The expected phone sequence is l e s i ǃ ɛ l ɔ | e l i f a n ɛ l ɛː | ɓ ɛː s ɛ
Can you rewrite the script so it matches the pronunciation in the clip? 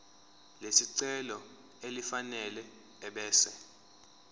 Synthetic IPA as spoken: l e s i ǀ ɛ l ɔ | e l i f a n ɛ l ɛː | ɓ ɛː s ɛ